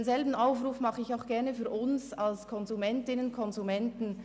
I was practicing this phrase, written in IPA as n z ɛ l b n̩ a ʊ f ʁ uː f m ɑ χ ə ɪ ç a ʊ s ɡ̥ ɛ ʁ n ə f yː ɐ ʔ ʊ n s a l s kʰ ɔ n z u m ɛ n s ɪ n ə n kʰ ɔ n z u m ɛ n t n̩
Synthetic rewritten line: n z ɛ l b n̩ a ʊ f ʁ uː f m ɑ χ ə ɪ ç a ʊ x ɡ̥ ɛ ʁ n ə f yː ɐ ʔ ʊ n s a l s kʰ ɔ n z u m ɛ n t ɪ n ə n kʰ ɔ n z u m ɛ n t n̩